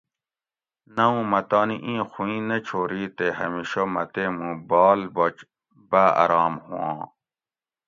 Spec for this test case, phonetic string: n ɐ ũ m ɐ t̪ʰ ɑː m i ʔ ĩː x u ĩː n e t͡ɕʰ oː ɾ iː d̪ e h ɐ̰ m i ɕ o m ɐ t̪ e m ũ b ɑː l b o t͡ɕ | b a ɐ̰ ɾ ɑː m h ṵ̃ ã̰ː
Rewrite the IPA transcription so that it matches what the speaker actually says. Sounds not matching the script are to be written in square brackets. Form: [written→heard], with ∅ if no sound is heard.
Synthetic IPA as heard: n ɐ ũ m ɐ [t̪ʰ→t̪] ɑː [m→n] i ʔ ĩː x u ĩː n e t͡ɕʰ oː ɾ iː [d̪→t̪] e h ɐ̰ m i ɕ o m ɐ t̪ e m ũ b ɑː l b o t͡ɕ | b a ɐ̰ ɾ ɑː m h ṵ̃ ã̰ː